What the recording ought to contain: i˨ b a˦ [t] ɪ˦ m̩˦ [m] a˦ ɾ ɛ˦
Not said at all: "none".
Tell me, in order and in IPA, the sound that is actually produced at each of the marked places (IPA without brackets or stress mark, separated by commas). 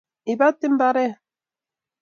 t, b